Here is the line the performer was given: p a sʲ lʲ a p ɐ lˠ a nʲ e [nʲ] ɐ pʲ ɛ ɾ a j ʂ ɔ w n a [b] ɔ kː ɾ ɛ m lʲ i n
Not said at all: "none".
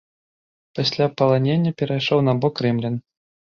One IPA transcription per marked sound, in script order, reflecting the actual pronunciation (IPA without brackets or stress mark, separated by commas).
nʲː, b